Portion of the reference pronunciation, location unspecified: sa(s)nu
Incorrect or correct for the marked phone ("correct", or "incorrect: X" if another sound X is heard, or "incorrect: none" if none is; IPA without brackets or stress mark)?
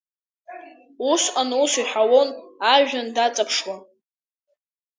incorrect: none